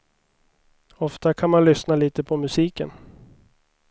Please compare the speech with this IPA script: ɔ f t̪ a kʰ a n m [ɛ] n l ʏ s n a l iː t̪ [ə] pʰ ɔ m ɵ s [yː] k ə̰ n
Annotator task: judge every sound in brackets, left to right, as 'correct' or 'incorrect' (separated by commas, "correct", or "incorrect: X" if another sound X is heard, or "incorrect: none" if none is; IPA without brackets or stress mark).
incorrect: a, correct, incorrect: iː